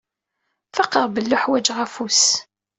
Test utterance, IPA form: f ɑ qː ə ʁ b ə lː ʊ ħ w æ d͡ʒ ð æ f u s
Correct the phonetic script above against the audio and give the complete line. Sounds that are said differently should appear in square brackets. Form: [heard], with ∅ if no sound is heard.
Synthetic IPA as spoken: f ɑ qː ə ʁ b ə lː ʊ ħ w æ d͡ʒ [ʁ] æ f u s